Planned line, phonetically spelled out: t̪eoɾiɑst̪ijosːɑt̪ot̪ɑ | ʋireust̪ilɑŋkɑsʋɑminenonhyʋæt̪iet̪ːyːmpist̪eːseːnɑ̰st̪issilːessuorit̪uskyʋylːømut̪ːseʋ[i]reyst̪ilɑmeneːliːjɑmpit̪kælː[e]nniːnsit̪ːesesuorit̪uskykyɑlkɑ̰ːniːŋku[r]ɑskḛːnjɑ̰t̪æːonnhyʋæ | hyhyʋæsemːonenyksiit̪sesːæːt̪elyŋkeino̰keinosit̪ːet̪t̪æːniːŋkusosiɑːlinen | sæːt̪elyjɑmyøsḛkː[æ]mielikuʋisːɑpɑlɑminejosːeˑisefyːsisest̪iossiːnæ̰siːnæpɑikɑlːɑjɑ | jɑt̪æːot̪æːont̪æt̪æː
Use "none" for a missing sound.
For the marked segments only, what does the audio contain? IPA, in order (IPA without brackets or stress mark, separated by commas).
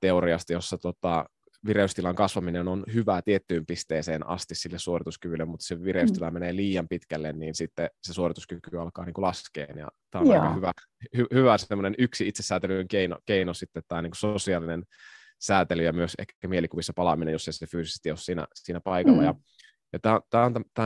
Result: i, e, l, æ